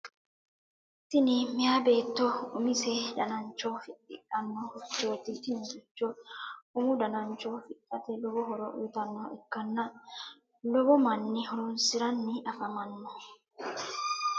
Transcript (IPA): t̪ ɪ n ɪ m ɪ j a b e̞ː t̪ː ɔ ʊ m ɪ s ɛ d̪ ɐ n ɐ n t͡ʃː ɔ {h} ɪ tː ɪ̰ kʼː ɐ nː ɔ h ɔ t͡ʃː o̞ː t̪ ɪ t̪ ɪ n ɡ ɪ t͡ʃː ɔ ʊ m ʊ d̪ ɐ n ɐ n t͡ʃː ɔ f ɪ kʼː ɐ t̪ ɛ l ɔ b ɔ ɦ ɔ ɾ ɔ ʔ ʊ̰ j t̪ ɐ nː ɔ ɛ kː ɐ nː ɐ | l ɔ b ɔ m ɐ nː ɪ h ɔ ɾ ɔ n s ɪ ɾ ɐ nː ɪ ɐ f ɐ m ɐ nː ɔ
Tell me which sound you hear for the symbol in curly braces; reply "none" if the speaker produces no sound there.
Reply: f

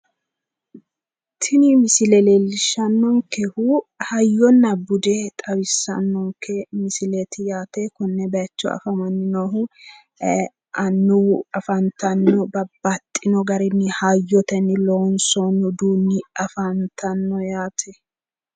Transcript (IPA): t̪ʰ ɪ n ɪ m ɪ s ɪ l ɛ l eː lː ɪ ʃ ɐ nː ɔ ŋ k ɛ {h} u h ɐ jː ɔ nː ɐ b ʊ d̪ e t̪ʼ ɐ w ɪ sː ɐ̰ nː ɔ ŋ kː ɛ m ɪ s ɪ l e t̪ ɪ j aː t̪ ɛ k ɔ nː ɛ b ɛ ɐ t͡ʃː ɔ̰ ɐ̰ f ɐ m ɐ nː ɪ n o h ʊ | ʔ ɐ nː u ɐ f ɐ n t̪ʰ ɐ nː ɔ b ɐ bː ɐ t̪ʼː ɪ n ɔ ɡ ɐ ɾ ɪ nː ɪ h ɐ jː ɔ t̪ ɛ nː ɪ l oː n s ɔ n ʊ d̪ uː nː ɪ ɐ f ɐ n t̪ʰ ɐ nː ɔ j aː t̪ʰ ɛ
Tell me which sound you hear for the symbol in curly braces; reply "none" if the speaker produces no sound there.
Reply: h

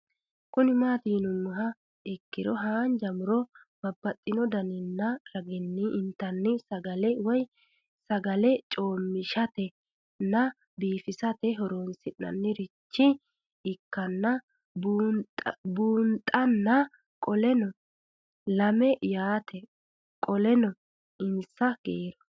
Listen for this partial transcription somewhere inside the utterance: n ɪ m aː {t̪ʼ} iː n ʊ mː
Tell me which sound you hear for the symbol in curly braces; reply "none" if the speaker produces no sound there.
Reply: t̪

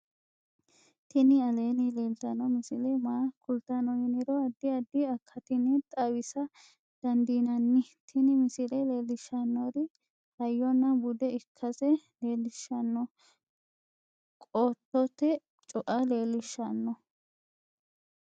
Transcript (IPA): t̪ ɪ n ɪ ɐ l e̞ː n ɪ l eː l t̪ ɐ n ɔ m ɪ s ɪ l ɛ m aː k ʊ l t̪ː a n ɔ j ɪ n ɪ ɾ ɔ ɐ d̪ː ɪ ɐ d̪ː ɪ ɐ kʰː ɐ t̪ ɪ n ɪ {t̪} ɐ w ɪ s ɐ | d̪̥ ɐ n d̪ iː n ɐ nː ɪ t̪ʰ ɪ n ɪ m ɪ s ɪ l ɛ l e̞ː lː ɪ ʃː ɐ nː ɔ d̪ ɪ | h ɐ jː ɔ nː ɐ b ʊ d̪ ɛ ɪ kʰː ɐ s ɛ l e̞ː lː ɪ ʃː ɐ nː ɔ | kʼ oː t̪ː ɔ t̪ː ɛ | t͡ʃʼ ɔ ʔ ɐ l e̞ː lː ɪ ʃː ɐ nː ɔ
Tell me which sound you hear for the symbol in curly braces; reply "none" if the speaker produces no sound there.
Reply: t̪ʼ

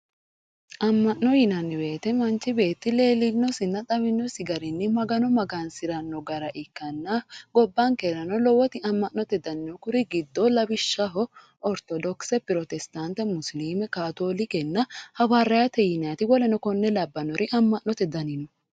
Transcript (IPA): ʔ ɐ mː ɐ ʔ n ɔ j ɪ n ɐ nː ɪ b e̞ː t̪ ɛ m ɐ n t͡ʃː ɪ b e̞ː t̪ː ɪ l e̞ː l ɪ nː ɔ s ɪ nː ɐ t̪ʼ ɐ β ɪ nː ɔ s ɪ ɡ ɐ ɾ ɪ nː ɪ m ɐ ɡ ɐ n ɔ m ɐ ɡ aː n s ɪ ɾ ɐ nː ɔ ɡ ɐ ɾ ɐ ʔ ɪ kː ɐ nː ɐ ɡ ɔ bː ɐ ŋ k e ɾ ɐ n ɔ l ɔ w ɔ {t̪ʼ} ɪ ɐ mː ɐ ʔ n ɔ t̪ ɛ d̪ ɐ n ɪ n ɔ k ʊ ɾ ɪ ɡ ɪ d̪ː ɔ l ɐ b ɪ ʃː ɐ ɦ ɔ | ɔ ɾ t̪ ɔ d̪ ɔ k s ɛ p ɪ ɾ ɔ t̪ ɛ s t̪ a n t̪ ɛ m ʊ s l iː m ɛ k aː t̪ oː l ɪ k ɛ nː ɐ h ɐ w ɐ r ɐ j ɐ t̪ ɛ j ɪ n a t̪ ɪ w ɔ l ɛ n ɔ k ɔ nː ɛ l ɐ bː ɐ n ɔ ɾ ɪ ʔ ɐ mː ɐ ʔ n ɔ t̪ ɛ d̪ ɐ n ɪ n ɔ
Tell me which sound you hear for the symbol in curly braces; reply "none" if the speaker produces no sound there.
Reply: t̪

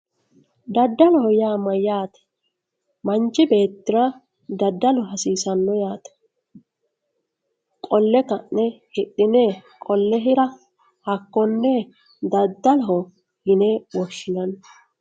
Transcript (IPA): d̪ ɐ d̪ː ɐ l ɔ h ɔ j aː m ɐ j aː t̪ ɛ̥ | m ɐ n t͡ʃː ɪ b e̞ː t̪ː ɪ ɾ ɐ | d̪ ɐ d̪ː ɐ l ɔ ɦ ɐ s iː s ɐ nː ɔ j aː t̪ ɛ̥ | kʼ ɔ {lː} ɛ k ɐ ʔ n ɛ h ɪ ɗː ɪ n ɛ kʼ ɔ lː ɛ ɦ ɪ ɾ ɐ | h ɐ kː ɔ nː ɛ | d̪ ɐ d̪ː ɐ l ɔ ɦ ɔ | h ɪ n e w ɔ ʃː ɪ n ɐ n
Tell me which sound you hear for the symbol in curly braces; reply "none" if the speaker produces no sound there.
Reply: lː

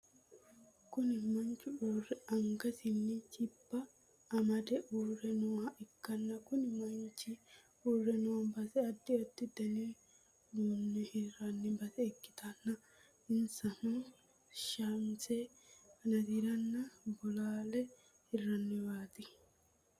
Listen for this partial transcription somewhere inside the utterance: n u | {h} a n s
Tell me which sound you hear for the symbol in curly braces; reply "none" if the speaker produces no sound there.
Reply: ʃ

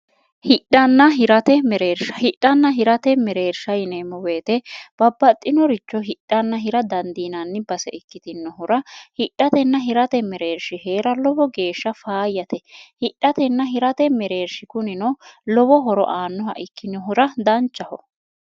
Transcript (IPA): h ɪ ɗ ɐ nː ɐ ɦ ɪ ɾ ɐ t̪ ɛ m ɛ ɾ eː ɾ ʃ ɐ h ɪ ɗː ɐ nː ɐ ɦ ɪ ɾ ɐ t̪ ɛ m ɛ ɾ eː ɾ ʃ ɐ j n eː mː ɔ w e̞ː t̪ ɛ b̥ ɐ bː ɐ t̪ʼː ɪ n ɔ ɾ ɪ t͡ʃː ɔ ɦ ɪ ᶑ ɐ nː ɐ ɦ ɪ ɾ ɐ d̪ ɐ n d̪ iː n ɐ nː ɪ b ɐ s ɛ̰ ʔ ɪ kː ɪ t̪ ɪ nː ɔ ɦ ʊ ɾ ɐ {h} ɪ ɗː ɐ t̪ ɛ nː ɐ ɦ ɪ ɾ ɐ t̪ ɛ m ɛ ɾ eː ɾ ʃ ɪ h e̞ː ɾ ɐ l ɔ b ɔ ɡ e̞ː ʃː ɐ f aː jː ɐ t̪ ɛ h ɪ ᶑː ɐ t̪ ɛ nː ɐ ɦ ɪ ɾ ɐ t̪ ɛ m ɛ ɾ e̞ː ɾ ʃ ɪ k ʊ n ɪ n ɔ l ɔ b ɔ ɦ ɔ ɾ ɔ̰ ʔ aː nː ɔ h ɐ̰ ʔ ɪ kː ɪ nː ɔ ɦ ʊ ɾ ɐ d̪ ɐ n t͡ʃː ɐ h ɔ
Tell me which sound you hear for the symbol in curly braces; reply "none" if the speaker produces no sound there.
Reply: h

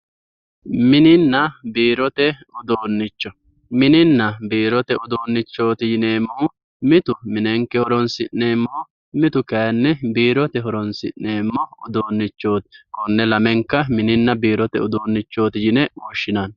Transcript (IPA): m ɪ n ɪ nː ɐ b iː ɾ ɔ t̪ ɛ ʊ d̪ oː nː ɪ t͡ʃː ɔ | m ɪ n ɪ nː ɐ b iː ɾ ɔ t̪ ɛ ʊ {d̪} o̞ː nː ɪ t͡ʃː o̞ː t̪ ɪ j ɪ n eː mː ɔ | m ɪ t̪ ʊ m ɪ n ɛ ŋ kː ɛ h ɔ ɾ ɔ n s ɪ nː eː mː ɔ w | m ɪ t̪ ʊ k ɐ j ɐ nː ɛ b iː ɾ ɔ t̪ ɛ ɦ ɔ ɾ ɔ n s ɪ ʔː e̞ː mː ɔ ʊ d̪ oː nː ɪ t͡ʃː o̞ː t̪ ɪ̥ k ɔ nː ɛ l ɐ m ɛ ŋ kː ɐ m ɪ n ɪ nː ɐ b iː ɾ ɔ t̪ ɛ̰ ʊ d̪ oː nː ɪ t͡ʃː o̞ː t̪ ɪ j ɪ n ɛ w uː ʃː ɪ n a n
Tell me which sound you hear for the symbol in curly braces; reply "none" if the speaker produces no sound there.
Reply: d̪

